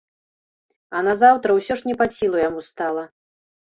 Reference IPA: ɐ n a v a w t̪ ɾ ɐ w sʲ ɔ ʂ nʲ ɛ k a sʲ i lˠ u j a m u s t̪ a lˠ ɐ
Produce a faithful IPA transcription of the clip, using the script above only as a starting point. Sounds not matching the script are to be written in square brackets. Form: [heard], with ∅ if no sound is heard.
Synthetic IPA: ɐ n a [z] a w t̪ ɾ ɐ w sʲ ɔ ʂ nʲ ɛ [p] a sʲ i lˠ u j a m u s t̪ a lˠ ɐ